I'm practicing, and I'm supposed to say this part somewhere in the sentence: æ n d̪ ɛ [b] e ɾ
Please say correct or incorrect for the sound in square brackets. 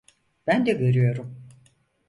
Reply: incorrect